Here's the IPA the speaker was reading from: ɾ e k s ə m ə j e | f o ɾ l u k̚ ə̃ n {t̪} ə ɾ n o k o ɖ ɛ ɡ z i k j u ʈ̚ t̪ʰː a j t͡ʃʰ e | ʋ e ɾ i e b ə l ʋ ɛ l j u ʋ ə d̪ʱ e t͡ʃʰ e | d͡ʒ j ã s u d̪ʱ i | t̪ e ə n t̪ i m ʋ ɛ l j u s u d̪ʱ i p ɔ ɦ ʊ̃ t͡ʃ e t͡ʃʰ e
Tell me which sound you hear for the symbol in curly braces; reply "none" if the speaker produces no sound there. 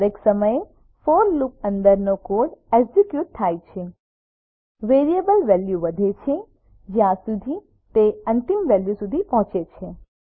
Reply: d̪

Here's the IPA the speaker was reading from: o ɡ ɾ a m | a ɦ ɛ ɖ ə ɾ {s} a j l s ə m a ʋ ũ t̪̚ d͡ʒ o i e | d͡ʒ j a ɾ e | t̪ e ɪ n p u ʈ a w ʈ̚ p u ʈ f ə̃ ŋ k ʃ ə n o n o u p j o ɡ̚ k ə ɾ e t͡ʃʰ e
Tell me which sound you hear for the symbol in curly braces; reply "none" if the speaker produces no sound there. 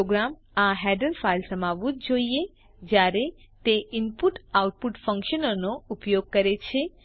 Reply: f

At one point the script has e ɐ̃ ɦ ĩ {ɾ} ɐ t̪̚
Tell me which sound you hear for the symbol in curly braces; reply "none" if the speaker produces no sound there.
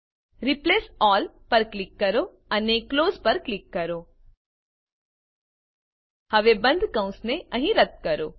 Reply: ɾ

